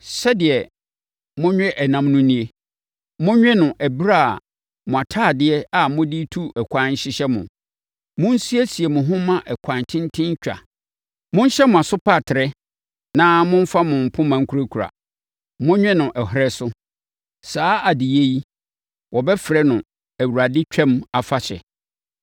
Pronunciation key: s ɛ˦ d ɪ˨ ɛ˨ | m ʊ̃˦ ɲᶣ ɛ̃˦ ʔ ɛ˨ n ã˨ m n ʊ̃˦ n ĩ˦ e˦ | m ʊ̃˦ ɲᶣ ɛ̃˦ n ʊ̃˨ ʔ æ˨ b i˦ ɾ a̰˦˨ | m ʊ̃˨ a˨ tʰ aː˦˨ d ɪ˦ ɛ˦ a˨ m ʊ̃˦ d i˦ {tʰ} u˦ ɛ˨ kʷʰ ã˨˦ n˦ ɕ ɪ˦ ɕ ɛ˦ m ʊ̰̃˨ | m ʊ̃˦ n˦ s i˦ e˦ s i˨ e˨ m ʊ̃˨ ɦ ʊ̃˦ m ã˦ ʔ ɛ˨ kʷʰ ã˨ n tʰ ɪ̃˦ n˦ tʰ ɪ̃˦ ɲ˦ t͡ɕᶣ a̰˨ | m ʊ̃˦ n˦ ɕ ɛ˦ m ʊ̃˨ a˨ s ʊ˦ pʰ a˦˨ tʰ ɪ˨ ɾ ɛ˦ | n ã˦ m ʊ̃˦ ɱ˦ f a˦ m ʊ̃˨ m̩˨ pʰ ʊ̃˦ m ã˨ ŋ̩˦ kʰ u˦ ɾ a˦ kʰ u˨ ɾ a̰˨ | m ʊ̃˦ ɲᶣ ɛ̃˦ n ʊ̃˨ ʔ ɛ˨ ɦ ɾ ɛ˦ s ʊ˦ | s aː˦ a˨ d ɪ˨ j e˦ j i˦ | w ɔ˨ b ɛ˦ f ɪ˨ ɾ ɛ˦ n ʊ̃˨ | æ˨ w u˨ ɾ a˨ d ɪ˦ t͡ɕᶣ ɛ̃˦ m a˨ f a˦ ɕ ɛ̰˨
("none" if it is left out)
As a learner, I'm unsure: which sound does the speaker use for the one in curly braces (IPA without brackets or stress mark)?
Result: tʰ